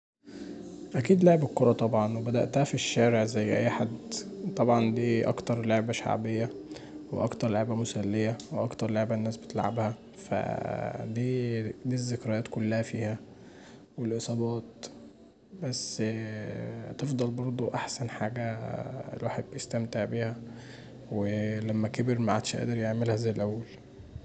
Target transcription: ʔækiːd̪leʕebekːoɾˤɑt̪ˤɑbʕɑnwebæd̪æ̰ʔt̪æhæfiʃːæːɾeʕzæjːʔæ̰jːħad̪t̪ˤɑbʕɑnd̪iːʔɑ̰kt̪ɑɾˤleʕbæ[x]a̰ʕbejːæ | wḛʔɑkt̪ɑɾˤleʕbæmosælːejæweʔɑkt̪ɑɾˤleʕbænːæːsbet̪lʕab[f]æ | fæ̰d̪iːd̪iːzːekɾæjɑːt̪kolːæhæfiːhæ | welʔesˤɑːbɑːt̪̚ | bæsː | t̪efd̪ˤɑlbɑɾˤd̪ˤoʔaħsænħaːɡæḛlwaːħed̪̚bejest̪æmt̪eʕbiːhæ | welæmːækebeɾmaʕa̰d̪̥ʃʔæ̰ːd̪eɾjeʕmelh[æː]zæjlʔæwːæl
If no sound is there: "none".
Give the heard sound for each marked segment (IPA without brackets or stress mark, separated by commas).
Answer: ʃ, h, æ